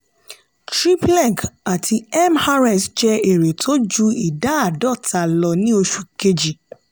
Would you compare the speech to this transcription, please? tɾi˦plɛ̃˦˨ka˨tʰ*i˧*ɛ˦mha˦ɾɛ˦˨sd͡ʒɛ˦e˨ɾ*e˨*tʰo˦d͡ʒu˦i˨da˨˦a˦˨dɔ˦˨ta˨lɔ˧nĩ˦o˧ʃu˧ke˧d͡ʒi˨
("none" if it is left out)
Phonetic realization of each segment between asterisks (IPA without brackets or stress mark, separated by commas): i˧, e˨